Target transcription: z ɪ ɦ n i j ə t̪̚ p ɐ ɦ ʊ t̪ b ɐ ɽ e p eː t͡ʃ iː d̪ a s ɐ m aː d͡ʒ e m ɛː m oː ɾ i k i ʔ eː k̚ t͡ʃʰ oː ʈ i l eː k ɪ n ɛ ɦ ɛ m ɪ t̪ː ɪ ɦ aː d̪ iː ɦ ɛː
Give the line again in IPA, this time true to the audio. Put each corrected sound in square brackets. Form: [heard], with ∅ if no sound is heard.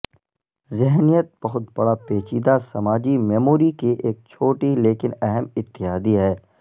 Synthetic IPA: z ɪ ɦ n i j ə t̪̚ [b] ɐ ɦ ʊ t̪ b ɐ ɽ [a] p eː t͡ʃ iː d̪ a s ɐ m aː d͡ʒ [i] m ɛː m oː ɾ i k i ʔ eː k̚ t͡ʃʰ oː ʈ i l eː k ɪ n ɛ ɦ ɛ m ɪ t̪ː ɪ ɦ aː d̪ [i] ɦ ɛː